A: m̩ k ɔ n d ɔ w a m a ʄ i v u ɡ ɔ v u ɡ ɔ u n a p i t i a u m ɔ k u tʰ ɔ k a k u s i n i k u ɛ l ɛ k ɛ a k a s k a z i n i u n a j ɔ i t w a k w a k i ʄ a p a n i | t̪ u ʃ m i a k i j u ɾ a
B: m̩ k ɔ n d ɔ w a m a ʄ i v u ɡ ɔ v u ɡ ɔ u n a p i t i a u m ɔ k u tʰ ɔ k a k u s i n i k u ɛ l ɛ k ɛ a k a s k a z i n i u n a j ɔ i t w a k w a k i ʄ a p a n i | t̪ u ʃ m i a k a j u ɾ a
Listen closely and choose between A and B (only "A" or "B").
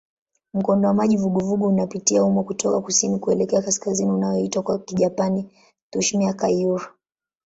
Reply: B